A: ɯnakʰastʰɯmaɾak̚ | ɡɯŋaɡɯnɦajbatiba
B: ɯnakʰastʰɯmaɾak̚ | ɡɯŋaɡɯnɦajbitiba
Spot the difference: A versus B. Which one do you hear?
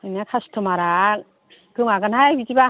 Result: B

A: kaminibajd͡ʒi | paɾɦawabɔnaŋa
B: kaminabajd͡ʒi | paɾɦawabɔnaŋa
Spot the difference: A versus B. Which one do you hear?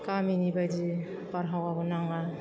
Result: A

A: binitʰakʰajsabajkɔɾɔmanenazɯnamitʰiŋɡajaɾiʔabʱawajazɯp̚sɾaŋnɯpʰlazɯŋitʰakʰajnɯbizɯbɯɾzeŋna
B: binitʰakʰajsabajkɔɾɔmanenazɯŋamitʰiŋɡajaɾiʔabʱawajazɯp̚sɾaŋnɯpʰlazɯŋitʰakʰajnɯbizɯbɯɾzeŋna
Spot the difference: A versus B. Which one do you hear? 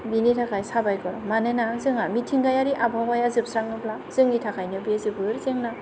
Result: B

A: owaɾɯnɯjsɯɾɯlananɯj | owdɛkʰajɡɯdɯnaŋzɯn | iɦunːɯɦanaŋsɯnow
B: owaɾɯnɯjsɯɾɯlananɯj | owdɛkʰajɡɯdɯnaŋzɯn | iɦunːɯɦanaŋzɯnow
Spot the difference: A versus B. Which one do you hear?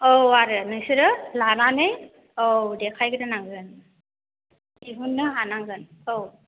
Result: B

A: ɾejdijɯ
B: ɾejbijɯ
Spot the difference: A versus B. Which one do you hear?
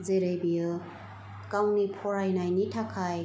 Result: B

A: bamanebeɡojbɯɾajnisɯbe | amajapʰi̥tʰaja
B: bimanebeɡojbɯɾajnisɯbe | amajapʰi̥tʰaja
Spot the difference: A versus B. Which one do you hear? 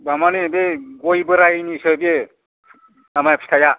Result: A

